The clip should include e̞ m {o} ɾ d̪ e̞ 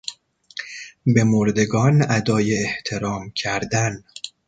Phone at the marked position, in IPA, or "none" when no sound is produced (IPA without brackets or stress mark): o